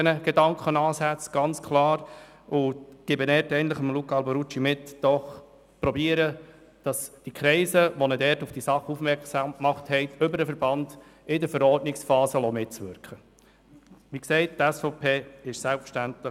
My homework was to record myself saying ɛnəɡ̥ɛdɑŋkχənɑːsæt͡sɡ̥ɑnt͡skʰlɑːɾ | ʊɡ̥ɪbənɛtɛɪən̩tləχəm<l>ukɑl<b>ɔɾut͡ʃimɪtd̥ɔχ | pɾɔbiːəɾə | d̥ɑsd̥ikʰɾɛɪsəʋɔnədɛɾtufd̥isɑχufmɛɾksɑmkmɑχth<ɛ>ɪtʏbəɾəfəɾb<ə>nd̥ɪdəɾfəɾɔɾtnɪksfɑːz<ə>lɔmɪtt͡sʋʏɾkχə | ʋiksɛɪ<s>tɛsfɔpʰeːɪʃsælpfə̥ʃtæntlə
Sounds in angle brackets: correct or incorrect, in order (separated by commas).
correct, correct, correct, incorrect, correct, incorrect